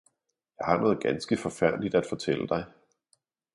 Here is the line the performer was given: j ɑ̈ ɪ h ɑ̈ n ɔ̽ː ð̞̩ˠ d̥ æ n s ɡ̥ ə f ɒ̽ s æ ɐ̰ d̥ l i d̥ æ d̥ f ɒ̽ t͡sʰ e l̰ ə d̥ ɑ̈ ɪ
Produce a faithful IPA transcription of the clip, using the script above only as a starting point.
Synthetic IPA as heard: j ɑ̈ ɪ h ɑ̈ n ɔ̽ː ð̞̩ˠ ɡ̥ æ n s ɡ̥ ə f ɒ̽ f æ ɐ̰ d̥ l i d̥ æ d̥ f ɒ̽ t͡sʰ e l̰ ə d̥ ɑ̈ ɪ